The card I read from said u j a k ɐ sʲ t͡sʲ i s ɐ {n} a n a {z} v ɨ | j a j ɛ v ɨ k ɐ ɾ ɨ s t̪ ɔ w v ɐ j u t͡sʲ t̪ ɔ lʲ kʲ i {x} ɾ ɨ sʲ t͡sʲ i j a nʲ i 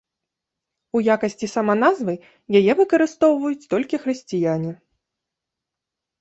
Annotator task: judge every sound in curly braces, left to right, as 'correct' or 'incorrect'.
incorrect, correct, correct

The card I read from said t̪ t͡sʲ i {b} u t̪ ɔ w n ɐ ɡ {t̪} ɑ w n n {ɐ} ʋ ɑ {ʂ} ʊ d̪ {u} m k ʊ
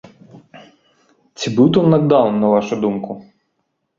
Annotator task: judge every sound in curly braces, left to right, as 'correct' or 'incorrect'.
correct, incorrect, correct, incorrect, correct

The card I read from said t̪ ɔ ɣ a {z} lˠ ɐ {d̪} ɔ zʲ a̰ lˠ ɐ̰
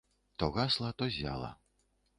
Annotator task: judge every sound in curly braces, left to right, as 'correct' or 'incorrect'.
incorrect, incorrect

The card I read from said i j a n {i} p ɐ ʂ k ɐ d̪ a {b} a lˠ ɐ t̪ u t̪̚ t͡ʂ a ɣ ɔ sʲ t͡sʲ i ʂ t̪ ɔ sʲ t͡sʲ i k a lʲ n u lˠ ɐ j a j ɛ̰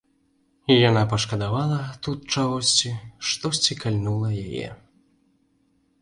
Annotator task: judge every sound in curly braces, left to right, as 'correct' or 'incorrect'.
incorrect, incorrect

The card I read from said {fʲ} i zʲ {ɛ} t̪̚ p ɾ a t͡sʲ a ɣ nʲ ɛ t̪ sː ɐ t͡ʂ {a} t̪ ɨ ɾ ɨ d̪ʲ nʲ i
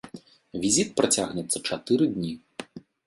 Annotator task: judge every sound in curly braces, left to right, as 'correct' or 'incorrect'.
incorrect, incorrect, correct

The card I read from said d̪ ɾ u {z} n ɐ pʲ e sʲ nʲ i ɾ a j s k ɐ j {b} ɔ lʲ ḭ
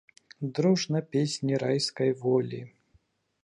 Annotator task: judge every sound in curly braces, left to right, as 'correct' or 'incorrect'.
incorrect, incorrect

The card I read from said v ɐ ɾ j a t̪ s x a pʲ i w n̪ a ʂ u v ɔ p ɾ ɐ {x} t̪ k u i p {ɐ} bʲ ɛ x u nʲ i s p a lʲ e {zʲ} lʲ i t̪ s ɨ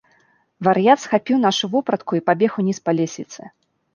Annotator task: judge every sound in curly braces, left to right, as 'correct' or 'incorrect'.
incorrect, incorrect, incorrect

